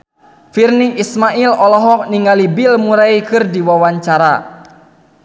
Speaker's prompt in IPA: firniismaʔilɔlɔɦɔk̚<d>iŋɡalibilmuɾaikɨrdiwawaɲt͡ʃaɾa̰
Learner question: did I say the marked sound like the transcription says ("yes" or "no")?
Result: no